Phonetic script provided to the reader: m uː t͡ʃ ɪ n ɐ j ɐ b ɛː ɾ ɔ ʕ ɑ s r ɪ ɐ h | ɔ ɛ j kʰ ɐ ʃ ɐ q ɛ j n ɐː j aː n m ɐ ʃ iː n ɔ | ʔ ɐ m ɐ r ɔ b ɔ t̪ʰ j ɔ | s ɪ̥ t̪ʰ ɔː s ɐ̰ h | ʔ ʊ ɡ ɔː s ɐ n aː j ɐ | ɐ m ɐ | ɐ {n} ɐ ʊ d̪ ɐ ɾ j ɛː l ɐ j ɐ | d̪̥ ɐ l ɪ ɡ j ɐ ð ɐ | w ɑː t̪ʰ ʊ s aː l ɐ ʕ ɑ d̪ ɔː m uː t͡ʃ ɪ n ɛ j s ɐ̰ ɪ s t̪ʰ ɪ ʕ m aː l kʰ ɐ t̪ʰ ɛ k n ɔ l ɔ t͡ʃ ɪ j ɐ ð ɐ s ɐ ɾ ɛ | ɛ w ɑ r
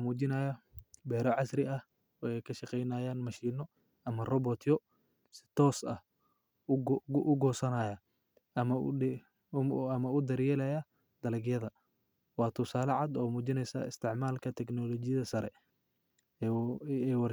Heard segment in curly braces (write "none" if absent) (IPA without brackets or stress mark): m